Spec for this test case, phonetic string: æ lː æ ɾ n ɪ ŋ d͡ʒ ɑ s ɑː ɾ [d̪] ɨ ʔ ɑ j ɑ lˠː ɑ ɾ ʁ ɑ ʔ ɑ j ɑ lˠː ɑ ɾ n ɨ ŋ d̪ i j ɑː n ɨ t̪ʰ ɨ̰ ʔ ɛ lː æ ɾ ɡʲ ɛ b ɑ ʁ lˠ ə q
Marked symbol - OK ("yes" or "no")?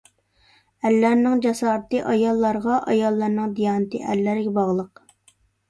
no